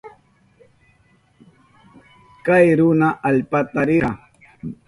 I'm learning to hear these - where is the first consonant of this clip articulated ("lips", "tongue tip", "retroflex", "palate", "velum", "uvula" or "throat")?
velum